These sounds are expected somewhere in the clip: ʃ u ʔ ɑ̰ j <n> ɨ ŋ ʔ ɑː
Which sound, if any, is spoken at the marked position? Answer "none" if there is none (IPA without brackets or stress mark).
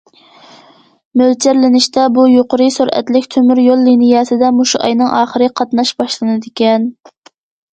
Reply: n